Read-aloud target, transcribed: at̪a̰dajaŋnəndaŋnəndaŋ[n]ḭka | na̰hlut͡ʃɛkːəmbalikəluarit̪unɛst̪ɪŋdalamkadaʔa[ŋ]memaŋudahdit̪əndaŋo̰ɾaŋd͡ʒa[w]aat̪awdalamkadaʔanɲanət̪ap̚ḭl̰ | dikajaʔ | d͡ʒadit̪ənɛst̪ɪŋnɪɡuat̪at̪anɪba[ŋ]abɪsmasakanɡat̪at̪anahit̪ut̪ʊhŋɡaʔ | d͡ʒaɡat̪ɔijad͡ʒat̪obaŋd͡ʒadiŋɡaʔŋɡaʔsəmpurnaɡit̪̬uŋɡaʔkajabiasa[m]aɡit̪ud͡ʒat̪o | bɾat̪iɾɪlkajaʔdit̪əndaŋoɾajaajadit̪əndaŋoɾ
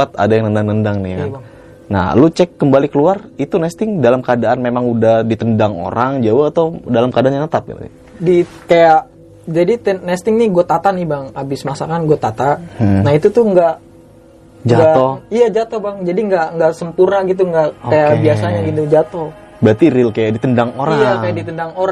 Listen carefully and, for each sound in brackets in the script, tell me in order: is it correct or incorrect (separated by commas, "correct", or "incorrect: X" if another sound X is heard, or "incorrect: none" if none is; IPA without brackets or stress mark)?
correct, incorrect: n, correct, correct, incorrect: ɲ